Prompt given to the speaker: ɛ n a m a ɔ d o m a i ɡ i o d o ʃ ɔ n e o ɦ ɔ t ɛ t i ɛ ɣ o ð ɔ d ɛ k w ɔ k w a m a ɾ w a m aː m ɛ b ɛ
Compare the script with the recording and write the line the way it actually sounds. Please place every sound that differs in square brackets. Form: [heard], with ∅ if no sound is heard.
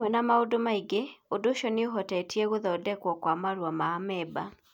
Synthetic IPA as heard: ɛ n a m a [o] d o m a i ɡ [e] o d o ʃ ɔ n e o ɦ ɔ t ɛ t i ɛ ɣ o ð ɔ d ɛ k w ɔ k w a m a ɾ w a m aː m ɛ b [a]